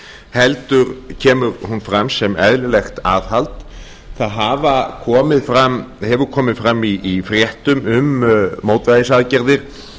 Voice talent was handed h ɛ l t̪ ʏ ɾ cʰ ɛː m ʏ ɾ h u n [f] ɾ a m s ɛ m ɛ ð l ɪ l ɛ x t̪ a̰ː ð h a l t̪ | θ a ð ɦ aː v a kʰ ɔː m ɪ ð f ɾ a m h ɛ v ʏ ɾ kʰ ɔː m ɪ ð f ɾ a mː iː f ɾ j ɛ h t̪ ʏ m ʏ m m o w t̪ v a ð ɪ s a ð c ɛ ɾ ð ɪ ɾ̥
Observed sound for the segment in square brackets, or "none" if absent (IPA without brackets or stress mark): f